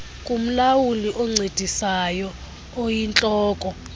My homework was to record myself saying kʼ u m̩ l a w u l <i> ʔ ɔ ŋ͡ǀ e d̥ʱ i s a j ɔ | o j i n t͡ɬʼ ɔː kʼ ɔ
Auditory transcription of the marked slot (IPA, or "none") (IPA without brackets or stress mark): i